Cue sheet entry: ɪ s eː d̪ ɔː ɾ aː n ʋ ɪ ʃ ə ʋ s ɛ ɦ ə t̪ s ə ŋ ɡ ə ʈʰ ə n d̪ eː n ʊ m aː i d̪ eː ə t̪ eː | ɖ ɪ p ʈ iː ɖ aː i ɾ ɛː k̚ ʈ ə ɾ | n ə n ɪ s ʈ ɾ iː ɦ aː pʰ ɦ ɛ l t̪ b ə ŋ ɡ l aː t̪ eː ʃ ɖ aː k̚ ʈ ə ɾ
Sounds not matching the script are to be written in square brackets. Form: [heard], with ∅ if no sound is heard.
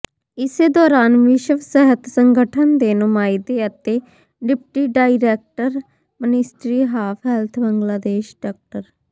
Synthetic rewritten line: ɪ s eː d̪ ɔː ɾ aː n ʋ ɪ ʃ ə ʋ s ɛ ɦ ə t̪ s ə ŋ ɡ ə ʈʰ ə n d̪ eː n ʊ m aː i d̪ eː ə t̪ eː | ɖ ɪ p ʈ iː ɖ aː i ɾ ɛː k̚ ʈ ə ɾ | [m] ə n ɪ s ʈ ɾ iː ɦ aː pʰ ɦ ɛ l [t̪ʰ] b ə ŋ ɡ l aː [d̪] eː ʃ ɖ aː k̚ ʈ ə ɾ